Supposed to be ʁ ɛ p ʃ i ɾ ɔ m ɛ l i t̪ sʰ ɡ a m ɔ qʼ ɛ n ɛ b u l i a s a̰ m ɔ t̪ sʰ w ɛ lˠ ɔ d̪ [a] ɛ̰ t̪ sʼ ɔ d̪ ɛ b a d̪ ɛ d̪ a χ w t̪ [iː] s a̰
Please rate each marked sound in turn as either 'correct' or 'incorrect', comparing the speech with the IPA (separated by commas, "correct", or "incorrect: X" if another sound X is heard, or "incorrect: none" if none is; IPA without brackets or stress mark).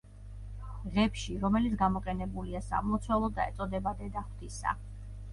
correct, incorrect: i